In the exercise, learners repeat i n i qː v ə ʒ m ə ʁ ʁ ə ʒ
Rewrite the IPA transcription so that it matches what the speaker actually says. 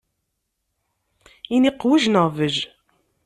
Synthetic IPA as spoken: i n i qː w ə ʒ n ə ʁ v ə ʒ